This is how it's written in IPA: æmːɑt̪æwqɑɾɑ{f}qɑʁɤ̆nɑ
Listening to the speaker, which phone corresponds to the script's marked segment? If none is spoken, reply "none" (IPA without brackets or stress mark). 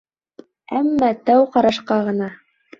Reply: ʃ